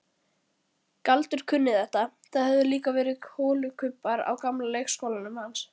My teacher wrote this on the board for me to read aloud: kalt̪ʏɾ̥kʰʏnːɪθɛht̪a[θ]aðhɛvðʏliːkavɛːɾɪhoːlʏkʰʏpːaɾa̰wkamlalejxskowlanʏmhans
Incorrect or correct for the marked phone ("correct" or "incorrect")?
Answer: correct